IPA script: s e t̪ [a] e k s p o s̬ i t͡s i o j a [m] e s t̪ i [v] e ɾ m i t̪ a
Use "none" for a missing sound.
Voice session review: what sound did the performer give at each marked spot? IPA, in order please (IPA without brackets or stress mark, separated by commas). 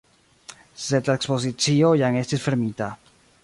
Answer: a, ŋ, f